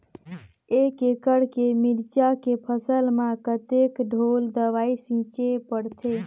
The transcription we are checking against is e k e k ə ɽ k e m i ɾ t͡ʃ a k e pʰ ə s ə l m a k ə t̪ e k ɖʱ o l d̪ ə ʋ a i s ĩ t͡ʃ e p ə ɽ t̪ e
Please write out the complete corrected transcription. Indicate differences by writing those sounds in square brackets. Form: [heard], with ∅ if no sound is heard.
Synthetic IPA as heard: e k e k ə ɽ k e m i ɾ t͡ʃ a k e pʰ ə s ə l m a k ə t̪ e k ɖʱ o l d̪ ə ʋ a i s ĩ t͡ʃ e p ə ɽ [t̪ʰ] e